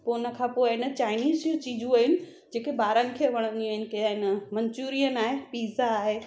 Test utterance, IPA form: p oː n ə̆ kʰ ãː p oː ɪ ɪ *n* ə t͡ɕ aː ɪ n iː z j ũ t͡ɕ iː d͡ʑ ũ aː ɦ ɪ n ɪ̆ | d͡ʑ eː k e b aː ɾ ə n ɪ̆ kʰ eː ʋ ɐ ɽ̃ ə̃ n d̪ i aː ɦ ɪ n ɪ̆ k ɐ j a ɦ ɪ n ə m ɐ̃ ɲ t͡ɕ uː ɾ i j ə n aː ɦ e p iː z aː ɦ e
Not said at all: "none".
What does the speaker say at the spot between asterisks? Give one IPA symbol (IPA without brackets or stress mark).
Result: n